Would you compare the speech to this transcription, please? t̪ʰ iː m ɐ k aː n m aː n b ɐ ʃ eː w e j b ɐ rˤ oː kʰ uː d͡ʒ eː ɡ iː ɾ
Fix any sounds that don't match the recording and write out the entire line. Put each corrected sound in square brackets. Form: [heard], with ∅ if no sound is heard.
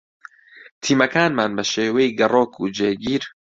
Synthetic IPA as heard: t̪ʰ iː m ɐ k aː n m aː n b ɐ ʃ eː w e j [ɡ] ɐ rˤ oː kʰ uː d͡ʒ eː ɡ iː ɾ